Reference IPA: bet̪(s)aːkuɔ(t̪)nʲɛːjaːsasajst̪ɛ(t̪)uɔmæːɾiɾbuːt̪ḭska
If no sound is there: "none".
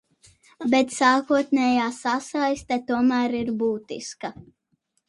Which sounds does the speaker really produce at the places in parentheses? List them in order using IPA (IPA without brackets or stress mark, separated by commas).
s, t̪, t̪